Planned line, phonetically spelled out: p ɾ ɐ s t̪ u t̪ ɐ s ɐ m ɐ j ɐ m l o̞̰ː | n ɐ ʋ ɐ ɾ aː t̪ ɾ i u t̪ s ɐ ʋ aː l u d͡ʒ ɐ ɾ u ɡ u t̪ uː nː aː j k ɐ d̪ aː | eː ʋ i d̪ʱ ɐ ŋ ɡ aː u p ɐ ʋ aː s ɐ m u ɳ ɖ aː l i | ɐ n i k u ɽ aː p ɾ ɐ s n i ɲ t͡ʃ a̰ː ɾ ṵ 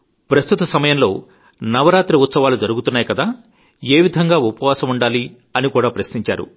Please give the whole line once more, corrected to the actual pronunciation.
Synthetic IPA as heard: p ɾ ɐ s t̪ u t̪ ɐ s ɐ m ɐ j ɐ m l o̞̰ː | n ɐ ʋ ɐ ɾ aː t̪ ɾ i u t̪ s ɐ ʋ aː l u d͡ʒ ɐ ɾ u ɡ u t̪ u nː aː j k ɐ d̪ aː | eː ʋ i d̪ʱ ɐ ŋ ɡ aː u p ɐ ʋ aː s ɐ m u ɳ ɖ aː l i | ɐ n i k uː ɽ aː p ɾ ɐ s n i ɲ t͡ʃ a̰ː ɾ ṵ

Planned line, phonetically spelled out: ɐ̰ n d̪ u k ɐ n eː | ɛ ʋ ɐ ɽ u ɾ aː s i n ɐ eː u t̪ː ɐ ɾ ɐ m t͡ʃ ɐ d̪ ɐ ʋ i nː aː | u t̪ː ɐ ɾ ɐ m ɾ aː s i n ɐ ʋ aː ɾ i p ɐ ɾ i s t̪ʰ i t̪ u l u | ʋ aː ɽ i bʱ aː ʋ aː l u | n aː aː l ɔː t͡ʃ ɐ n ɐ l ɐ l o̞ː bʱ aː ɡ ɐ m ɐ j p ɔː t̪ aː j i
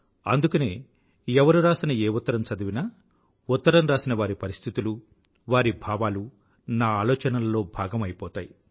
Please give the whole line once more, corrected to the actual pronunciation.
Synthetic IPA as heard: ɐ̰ n d̪ u k ɐ n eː | ɛ ʋ ɐ ɾ u ɾ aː s i n ɐ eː u t̪ː ɐ ɾ ɐ m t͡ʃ ɐ d̪ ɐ ʋ i n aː | u t̪ː ɐ ɾ ɐ m ɾ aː s i n ɐ ʋ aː ɾ i p ɐ ɾ i s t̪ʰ i t̪ u l u | ʋ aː ɾ i bʱ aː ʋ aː l u | n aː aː l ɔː t͡ʃ ɐ n ɐ l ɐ l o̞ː bʱ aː ɡ ɐ m ɐ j p ɔː t̪ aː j i

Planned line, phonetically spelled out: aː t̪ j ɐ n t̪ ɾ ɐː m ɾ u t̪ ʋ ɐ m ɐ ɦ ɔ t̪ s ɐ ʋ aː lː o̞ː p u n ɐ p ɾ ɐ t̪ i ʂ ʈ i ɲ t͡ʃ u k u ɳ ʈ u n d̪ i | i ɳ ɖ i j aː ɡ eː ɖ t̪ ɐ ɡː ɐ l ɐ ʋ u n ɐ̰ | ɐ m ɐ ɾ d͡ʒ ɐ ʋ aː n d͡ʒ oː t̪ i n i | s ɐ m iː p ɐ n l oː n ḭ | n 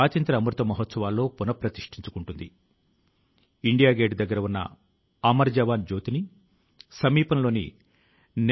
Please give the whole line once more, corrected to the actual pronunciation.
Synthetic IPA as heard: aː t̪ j ɐ n t̪ ɾ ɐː m ɾ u t̪ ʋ ɐ m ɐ ɦ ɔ t̪ s ɐ ʋ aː lː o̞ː p u n ɐ p ɾ ɐ t̪ i ʂ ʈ i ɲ t͡ʃ u k u ɳ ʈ u n d̪ i | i ɳ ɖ i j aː ɡ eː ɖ d̪ ɐ ɡː ɐ ɾ ɐ ʋ u nː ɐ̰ | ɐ m ɐ ɾ d͡ʒ ɐ ʋ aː n d͡ʒ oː t̪ i n i | s ɐ m iː p ɐ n l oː n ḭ | n

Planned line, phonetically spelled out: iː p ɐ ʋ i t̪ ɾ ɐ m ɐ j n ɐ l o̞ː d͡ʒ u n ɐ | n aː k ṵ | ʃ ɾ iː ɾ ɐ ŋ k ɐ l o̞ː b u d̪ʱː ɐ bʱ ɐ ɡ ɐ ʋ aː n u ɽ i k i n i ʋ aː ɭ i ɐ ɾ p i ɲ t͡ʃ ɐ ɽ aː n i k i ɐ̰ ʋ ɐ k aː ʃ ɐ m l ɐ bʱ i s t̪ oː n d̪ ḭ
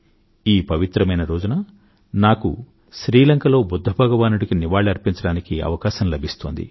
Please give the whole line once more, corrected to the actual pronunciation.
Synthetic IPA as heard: iː p ɐ ʋ i t̪ ɾ ɐ m ɐ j n ɐ ɾ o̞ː d͡ʒ u n ɐ | n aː k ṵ | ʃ ɾ iː l ɐ ŋ k ɐ l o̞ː b u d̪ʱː ɐ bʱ ɐ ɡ ɐ ʋ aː n u ɽ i k i n i ʋ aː ɭ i ɐ ɾ p i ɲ t͡ʃ ɐ ɽ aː n i k i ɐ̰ ʋ ɐ k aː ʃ ɐ m l ɐ bʱ i s t̪ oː n d̪ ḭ

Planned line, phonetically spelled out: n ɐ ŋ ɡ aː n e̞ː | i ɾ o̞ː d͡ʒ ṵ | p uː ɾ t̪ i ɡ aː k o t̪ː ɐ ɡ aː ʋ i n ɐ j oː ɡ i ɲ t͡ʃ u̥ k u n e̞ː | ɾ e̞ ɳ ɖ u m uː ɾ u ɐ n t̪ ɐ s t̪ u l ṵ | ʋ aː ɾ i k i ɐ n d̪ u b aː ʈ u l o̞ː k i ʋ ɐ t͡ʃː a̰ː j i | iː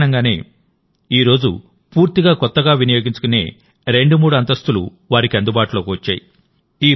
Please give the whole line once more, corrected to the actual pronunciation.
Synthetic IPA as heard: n ɐ ŋ ɡ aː n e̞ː | iː ɾ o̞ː d͡ʒ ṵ | p uː ɾ t̪ i ɡ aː k ɔ t̪ː ɐ ɡ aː ʋ i n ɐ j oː ɡ i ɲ t͡ʃ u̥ k u n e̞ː | ɾ e̞ ɳ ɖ u m uː ɽ u ɐ n t̪ ɐ s t̪ u l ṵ | ʋ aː ɾ i k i ɐ n d̪ u b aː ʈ u l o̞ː k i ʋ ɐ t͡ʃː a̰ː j i | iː

